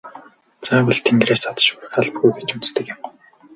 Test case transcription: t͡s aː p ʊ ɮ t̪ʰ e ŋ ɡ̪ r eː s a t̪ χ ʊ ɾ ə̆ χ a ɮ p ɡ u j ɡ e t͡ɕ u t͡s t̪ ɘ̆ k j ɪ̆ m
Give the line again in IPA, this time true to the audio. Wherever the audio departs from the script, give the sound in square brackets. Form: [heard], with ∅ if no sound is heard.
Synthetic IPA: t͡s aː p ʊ ɮ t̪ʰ e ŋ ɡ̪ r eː s a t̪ [ʃ] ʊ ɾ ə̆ [x] a ɮ p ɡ u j ɡ e t͡ɕ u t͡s t̪ ɘ̆ k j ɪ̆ m